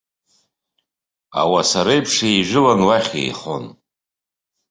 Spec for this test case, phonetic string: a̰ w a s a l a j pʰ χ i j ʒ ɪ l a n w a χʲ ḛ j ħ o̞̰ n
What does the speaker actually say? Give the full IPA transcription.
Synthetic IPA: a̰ w a s a ɾ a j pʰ ʂ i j ʒ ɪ l a n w a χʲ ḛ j χ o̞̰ n